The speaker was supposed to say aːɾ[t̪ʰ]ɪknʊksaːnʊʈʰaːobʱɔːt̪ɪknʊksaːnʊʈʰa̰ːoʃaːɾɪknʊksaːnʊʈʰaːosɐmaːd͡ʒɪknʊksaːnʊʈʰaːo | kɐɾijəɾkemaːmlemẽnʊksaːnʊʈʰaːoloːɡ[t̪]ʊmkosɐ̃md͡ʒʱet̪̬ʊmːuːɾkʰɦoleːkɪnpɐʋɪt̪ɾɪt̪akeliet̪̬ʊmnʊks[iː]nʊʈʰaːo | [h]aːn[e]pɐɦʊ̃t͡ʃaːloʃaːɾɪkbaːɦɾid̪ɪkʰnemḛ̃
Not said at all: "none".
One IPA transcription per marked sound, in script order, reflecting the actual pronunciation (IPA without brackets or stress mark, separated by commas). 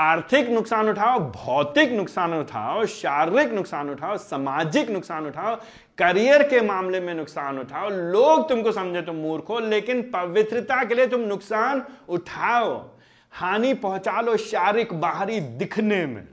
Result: t̪ʰ, t̪, aː, h, i